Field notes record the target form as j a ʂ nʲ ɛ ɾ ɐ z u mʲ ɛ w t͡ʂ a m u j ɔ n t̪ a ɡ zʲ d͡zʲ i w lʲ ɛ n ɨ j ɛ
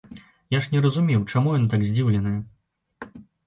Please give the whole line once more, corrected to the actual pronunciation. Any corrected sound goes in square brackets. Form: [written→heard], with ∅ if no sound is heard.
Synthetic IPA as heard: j a ʂ nʲ ɛ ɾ ɐ z u mʲ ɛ w t͡ʂ a m u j ɔ n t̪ a ɡ zʲ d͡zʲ i w lʲ ɛ n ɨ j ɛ